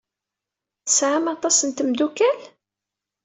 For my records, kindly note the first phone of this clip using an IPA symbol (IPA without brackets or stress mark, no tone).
θ